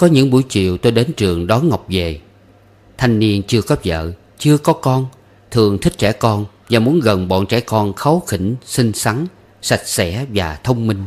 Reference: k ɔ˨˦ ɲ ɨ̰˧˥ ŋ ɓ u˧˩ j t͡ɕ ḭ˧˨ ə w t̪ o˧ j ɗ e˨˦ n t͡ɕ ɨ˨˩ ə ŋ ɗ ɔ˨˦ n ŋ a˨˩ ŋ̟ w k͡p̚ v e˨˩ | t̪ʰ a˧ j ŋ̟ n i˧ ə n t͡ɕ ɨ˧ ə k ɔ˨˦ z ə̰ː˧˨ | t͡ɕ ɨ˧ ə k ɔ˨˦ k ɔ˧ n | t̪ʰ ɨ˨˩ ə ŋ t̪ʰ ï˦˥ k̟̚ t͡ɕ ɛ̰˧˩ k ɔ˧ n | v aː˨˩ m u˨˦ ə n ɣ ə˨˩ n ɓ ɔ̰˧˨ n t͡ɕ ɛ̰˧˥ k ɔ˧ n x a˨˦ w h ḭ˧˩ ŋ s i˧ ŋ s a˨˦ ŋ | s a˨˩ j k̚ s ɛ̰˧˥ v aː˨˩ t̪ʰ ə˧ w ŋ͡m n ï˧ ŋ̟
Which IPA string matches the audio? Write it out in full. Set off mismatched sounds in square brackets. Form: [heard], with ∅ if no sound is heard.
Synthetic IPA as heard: k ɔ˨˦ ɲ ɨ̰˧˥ ŋ ɓ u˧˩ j t͡ɕ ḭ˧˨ ə w t̪ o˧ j ɗ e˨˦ n t͡ɕ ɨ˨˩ ə ŋ ɗ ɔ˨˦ n ŋ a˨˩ [∅] w k͡p̚ v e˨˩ | t̪ʰ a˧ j ŋ̟ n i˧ ə n t͡ɕ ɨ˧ ə k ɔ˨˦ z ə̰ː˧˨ | t͡ɕ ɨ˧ ə k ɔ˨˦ k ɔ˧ n | t̪ʰ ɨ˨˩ ə ŋ t̪ʰ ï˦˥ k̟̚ t͡ɕ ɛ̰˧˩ k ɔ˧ n | v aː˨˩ m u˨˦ ə n ɣ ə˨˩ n ɓ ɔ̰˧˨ n t͡ɕ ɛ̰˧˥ k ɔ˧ n x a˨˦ w [x] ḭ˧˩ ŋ s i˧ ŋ s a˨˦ ŋ | s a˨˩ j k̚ s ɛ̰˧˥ v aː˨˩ t̪ʰ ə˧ w ŋ͡m [m] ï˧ ŋ̟